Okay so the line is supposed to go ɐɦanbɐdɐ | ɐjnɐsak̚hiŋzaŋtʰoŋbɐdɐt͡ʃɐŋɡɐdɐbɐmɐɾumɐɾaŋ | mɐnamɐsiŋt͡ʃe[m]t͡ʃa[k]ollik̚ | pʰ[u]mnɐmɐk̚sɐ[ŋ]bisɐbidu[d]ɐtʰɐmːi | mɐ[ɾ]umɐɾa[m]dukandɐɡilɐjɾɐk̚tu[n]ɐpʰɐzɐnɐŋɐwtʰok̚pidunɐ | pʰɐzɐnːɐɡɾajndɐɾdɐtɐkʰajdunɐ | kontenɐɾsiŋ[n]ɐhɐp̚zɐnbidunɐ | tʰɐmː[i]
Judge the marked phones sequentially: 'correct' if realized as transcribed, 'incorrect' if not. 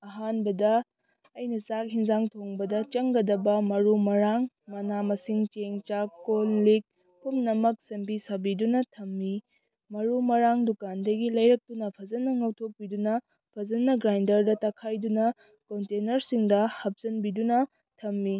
incorrect: ŋ, correct, correct, incorrect: m, incorrect: n, correct, incorrect: ŋ, correct, incorrect: d, correct

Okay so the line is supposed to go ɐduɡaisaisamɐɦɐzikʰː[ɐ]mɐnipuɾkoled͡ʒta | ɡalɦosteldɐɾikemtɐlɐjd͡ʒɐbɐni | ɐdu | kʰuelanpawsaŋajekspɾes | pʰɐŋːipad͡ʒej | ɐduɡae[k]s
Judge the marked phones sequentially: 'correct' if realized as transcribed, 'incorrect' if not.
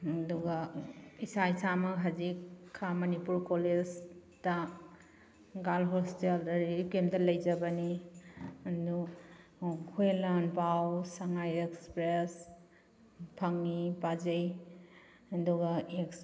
incorrect: a, correct

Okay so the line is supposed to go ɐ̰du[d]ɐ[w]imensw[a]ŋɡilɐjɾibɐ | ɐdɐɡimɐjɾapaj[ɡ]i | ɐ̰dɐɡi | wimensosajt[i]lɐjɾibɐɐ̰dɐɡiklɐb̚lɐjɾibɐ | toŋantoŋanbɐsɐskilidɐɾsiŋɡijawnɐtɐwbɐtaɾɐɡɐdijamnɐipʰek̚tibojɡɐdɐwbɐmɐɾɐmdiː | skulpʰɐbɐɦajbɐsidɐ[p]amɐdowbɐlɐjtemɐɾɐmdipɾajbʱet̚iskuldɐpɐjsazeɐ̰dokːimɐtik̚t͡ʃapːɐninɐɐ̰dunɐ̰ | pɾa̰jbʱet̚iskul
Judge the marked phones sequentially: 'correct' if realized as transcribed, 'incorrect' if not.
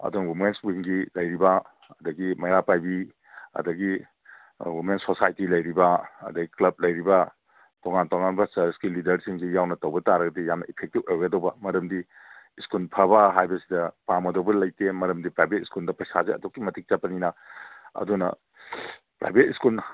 incorrect: n, correct, incorrect: i, incorrect: b, correct, correct

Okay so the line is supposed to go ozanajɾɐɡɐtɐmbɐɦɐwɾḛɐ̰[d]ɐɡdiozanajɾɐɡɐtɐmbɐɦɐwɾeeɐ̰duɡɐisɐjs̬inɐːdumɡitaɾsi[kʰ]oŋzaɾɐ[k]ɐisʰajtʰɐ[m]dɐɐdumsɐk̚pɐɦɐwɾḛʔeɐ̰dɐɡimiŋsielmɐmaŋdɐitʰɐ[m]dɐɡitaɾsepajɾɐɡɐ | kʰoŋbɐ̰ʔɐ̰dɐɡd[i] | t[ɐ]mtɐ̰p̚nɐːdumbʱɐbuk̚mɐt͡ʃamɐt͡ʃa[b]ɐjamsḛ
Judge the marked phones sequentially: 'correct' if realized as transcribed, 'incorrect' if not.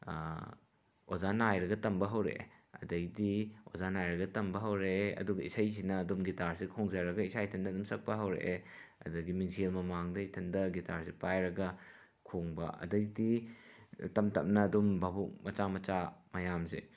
correct, correct, incorrect: ɡ, incorrect: n, incorrect: n, correct, correct, incorrect: m

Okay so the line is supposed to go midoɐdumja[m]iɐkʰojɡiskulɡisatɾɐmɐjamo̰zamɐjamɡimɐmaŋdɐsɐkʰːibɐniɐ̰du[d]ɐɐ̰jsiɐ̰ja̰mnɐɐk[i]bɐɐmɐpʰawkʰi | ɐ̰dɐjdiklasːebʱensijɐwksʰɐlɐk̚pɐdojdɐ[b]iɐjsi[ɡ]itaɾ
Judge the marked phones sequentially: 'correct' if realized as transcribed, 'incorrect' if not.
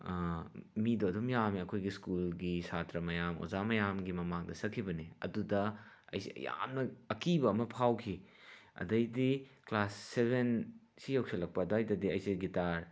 correct, correct, correct, incorrect: d, correct

